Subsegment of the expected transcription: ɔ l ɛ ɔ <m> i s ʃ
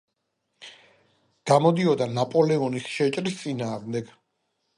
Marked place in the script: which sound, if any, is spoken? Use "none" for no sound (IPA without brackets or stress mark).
n